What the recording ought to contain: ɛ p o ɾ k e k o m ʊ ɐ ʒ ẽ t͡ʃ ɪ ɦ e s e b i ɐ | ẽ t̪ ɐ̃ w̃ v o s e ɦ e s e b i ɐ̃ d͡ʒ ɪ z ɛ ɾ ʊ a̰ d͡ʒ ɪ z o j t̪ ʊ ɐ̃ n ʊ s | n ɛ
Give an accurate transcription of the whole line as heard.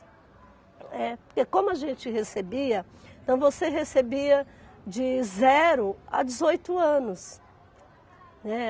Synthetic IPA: ɛ p o ɾ k e k õ m ʊ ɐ ʒ ẽ t͡ʃ ɪ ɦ e s e b i ɐ | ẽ t̪ ɐ̃ w̃ v o s e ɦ e s e b i ɐ d͡ʒ ɪ z ɛ ɾ ʊ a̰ d͡ʒ ɪ z o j t̪ ʊ ɐ̃ n ʊ s | n ɛ